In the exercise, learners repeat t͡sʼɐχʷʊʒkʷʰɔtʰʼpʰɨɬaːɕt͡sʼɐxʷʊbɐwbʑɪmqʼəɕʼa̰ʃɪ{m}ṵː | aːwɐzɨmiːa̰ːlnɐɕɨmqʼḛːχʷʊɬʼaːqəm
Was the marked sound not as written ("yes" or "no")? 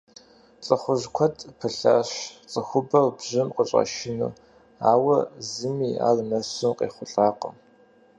yes